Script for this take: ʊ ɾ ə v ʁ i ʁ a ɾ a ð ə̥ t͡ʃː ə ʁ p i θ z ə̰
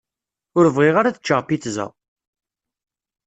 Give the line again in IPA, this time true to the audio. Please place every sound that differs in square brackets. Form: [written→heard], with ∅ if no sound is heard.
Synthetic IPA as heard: ʊ ɾ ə v ʁ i ʁ a ɾ a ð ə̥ t͡ʃː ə ʁ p i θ z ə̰